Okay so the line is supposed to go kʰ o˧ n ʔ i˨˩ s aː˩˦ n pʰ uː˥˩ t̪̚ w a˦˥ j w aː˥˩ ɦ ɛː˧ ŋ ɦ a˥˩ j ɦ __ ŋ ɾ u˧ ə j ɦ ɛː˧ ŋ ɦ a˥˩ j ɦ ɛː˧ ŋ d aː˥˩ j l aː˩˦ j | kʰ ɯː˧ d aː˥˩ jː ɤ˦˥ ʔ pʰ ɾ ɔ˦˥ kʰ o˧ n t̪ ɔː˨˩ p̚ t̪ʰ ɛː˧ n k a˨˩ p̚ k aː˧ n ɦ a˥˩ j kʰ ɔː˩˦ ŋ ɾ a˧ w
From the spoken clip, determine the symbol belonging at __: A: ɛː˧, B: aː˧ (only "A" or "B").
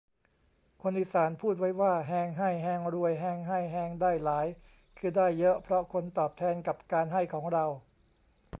A